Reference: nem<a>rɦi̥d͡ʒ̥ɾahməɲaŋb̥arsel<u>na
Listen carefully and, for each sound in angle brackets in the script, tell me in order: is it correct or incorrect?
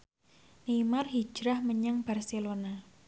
correct, incorrect

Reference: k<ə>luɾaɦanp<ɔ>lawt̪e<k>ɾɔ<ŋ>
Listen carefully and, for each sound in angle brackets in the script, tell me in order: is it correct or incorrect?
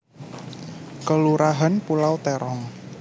correct, incorrect, incorrect, correct

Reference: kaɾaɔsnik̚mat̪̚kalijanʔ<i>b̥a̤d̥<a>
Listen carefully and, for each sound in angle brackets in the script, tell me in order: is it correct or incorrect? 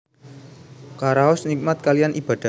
correct, correct

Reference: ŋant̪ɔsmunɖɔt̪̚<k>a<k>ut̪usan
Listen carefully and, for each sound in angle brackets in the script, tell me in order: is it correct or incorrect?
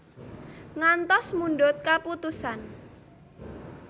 correct, incorrect

